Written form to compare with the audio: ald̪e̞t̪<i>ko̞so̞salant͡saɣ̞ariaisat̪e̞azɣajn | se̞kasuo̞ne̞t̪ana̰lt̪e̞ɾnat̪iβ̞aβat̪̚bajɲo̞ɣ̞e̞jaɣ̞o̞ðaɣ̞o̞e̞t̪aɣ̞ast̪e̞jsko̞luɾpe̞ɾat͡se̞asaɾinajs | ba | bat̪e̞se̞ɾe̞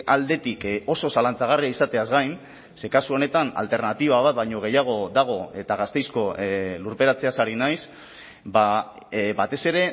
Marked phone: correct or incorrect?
correct